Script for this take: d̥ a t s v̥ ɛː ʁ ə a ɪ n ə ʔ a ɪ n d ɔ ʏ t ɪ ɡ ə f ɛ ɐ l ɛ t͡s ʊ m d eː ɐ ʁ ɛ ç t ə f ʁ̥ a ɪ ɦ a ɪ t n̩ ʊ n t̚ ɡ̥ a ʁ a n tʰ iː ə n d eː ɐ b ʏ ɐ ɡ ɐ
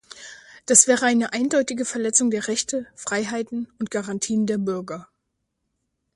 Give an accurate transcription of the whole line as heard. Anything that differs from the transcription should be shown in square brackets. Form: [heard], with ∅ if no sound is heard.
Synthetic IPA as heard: d̥ a [∅] s v̥ ɛː ʁ ə a ɪ n ə ʔ a ɪ n d ɔ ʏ t ɪ ɡ ə f ɛ ɐ l ɛ t͡s ʊ [ŋ] d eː ɐ ʁ ɛ ç t ə f ʁ̥ a ɪ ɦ a ɪ t n̩ ʊ n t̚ ɡ̥ a ʁ a n tʰ iː ə n d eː ɐ b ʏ ɐ ɡ ɐ